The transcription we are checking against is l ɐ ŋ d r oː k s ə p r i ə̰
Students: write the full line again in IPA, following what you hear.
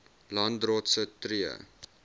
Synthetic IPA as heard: l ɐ n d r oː t s ə t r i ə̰